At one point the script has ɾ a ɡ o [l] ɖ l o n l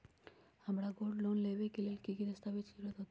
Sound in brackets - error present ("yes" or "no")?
yes